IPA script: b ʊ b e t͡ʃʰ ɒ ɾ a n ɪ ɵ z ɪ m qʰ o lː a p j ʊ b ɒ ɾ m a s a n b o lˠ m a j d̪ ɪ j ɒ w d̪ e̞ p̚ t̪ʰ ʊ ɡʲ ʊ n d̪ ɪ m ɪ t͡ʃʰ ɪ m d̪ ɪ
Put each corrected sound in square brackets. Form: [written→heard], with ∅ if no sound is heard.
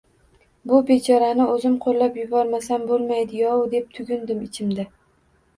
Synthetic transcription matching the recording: b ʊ b e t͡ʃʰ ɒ ɾ a n ɪ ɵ z ɪ m qʰ o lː a p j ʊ b ɒ ɾ m a s a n b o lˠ m a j d̪ ɪ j ɒ w d̪ e̞ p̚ t̪ʰ ʊ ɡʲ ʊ n d̪ ɪ m ɪ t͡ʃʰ ɪ m d̪ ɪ